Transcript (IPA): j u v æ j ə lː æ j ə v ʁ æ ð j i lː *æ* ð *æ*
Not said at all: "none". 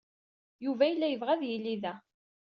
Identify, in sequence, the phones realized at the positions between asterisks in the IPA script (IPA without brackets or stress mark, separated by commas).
i, æ